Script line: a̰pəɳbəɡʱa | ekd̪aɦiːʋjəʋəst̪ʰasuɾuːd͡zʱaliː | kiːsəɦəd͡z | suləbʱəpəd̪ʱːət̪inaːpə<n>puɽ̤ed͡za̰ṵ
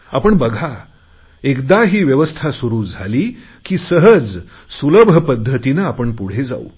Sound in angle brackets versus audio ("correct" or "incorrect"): incorrect